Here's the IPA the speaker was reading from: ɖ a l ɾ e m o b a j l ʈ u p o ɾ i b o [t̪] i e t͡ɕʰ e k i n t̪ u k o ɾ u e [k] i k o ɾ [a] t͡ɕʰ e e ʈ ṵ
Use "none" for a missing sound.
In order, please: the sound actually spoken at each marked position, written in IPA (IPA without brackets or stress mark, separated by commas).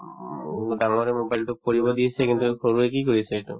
d̪, k, i